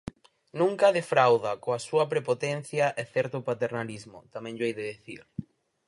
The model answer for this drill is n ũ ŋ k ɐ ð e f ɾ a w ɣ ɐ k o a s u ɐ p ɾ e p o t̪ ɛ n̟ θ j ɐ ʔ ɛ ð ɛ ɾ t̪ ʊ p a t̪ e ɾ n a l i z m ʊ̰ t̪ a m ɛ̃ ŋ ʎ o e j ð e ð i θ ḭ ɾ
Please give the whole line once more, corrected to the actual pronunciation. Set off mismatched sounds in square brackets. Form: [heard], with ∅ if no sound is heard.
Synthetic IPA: n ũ ŋ k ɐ ð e f ɾ a w [ð] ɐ k o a s u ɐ p ɾ e p o t̪ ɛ n̟ θ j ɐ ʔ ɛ [θ] ɛ ɾ t̪ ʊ p a t̪ e ɾ n a l i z m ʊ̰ t̪ a m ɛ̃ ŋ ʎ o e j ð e ð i θ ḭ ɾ